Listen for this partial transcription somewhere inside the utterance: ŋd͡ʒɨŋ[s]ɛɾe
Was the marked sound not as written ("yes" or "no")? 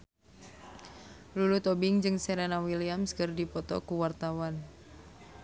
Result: no